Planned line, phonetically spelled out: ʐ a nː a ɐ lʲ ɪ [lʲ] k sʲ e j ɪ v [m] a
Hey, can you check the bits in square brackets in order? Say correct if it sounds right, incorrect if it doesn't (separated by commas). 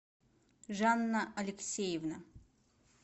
incorrect, incorrect